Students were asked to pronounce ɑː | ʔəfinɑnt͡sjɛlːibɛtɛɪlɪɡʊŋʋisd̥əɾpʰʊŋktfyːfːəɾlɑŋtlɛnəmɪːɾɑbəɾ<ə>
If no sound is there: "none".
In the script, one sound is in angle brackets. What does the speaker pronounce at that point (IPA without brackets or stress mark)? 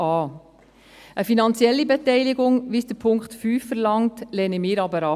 ɑ